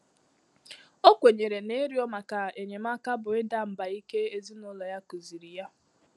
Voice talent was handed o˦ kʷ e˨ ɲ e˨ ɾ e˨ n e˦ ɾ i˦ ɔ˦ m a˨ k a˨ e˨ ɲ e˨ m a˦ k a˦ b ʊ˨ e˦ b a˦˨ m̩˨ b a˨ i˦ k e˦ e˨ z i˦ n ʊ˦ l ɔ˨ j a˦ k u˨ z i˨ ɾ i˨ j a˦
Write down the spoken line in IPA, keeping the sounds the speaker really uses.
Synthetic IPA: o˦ kʷ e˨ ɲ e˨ ɾ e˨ n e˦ ɾ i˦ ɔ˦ m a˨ k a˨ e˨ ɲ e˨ m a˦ k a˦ b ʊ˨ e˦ d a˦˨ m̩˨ b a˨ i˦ k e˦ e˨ z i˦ n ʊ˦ l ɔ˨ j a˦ k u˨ z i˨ ɾ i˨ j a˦